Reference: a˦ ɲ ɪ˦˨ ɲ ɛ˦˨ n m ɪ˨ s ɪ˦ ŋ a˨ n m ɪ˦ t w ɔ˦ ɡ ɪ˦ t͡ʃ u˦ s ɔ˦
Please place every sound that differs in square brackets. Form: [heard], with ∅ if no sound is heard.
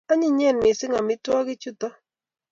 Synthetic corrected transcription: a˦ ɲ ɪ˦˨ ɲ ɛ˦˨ n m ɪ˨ s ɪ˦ ŋ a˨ [∅] m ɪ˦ t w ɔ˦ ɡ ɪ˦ t͡ʃ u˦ [t] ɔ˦